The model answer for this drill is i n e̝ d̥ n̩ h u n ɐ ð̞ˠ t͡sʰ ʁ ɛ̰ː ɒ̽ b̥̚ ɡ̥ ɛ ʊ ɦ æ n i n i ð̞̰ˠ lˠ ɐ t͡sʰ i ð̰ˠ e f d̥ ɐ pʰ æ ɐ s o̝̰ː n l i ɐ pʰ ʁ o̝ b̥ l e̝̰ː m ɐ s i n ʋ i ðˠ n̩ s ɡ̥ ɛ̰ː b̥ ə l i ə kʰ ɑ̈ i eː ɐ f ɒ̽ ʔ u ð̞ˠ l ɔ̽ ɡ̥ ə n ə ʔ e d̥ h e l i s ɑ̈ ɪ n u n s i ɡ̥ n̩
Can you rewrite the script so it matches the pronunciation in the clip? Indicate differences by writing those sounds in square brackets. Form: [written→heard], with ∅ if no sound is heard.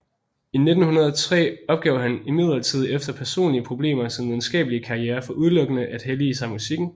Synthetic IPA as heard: i n e̝ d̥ n̩ h u n ɐ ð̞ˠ t͡sʰ ʁ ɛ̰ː ɒ̽ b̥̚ ɡ̥ ɛ ʊ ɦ æ n i [n→m] i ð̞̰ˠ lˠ ɐ t͡sʰ i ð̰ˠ e f d̥ ɐ pʰ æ ɐ s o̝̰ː n l i [ɐ→ə] pʰ ʁ o̝ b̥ l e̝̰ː m ɐ s i n ʋ i ðˠ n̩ s ɡ̥ ɛ̰ː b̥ ə l i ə kʰ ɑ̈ i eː ɐ f ɒ̽ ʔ u ð̞ˠ l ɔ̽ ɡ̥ ə n ə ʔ [e→æ] d̥ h e l i s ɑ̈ ɪ [n→m] u [n→∅] s i ɡ̥ n̩

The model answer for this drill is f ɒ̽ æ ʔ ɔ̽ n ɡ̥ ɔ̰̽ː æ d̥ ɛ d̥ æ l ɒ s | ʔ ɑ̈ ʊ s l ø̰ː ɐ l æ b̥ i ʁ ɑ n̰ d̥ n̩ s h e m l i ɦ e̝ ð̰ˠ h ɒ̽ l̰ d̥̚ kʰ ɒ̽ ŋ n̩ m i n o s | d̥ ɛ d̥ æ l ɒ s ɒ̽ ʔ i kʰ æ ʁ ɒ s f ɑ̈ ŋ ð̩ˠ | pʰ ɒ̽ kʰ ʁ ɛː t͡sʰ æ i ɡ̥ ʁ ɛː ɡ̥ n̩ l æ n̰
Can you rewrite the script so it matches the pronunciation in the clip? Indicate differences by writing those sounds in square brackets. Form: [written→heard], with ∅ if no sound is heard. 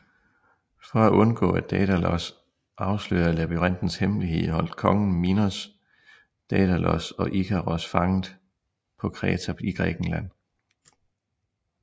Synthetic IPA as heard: f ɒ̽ æ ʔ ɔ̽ n ɡ̥ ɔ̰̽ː æ d̥ ɛ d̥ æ l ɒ s | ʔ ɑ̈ ʊ s l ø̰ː ɐ l æ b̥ i ʁ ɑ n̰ d̥ n̩ s h e m l i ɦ e̝ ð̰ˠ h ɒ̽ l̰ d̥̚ kʰ ɒ̽ ŋ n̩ m i n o s | d̥ ɛ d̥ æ l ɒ s ɒ̽ ʔ i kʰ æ ʁ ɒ s f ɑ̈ ŋ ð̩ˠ | pʰ ɒ̽ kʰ ʁ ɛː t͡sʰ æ i ɡ̥ ʁ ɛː ɡ̥ n̩ l æ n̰

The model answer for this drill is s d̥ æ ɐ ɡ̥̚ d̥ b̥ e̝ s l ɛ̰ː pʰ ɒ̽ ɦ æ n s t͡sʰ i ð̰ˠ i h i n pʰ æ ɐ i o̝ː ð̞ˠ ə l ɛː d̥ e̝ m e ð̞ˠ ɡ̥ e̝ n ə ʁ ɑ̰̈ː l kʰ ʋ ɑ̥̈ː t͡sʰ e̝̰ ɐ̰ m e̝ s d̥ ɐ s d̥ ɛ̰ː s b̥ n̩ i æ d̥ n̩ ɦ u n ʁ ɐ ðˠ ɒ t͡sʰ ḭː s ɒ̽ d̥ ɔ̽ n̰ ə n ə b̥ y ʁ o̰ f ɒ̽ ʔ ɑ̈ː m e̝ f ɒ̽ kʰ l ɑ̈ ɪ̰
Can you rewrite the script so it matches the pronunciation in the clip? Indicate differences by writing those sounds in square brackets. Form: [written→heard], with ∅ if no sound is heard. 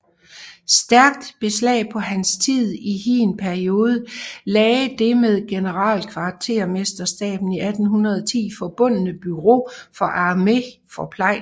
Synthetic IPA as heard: s d̥ æ ɐ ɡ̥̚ d̥ b̥ e̝ s l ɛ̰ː pʰ ɒ̽ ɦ æ n s t͡sʰ i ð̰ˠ i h i n pʰ æ ɐ i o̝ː ð̞ˠ ə l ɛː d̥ e̝ m e ð̞ˠ ɡ̥ e̝ n ə ʁ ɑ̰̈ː l kʰ ʋ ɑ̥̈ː t͡sʰ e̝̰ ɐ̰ m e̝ s d̥ ɐ s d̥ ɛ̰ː [s→∅] b̥ n̩ i æ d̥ n̩ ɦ u n ʁ ɐ ðˠ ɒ t͡sʰ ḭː [s→f] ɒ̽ [d̥→b̥] ɔ̽ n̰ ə n ə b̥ y ʁ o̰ f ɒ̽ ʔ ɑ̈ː m e̝ f ɒ̽ [kʰ→pʰ] l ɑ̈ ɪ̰

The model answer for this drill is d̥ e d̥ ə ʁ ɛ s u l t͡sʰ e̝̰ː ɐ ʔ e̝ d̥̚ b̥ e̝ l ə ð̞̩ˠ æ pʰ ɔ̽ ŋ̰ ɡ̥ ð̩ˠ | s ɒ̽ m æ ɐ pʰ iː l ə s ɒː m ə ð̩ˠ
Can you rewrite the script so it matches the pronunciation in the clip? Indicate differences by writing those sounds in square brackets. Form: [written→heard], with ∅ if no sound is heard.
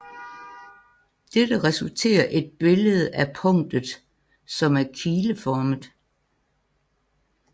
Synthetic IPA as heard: d̥ e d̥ ə ʁ ɛ s u l t͡sʰ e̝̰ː ɐ ʔ e̝ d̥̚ b̥ e̝ l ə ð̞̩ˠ æ pʰ ɔ̽ ŋ̰ [ɡ̥→d̥] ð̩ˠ | s ɒ̽ m æ ɐ [pʰ→kʰ] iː l ə [s→f] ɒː m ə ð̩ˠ

